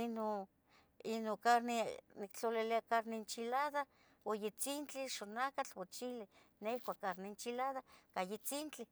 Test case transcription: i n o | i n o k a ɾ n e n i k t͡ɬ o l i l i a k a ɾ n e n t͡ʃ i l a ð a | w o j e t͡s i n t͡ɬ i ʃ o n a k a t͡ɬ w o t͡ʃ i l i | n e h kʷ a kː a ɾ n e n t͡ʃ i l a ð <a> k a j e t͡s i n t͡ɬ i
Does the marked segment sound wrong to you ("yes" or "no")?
no